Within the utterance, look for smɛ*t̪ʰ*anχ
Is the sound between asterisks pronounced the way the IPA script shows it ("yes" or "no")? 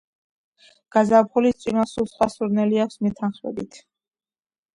yes